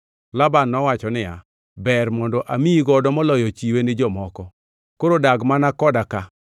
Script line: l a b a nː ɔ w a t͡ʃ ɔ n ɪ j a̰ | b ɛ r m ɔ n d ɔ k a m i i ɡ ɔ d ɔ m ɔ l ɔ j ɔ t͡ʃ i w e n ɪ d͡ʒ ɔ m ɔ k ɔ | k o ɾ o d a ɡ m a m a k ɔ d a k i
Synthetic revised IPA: l a b a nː ɔ w a t͡ʃ ɔ n ɪ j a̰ | b ɛ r m ɔ n d ɔ ʔ a m i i ɡ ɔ d ɔ m ɔ l ɔ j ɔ t͡ʃ i w e n ɪ d͡ʒ ɔ m ɔ k ɔ | k o ɾ o d a ɡ m a n a k ɔ d a k a